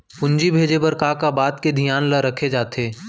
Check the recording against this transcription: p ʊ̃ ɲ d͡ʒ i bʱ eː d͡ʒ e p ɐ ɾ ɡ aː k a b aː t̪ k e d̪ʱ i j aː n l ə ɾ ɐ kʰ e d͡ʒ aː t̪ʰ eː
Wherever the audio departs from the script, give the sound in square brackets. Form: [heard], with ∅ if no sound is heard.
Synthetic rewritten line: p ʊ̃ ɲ d͡ʒ i bʱ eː d͡ʒ e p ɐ ɾ [k] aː k a b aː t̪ k e d̪ʱ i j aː n l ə ɾ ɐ kʰ e d͡ʒ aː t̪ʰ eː